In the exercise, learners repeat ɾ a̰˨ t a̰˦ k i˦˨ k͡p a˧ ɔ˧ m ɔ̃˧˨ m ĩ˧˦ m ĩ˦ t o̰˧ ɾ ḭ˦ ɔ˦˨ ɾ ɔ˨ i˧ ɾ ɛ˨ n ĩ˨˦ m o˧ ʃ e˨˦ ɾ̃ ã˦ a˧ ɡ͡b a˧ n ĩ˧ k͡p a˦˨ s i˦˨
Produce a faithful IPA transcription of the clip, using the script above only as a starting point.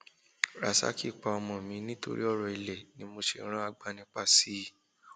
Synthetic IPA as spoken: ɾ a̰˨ s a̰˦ k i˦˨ k͡p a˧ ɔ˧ m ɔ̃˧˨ m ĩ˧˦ n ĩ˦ t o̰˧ ɾ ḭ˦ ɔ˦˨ ɾ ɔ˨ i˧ l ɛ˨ n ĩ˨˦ m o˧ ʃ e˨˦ ɾ̃ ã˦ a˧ ɡ͡b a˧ n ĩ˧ k͡p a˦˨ s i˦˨